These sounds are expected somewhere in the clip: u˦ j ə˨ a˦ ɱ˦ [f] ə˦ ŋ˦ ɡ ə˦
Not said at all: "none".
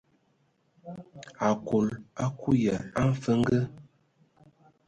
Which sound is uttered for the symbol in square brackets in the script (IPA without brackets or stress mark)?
f